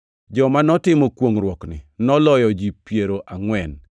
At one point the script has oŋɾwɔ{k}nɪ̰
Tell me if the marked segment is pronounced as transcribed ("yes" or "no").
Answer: yes